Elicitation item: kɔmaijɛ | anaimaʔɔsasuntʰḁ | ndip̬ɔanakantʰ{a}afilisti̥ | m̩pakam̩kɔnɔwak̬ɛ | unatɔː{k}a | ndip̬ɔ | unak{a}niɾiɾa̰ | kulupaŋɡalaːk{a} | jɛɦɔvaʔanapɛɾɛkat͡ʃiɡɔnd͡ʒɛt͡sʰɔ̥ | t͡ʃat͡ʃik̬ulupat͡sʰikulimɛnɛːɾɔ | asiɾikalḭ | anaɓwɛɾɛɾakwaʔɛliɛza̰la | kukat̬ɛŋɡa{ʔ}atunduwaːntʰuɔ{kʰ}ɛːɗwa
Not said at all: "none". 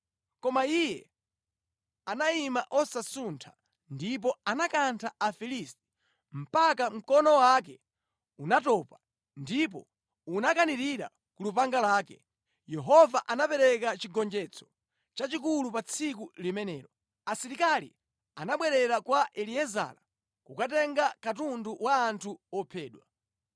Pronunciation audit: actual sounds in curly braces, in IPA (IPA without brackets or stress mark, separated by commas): a, p, a, ɛ, k, pʰ